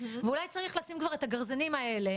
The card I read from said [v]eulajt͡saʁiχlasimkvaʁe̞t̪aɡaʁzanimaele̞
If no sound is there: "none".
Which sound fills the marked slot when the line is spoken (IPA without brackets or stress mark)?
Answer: v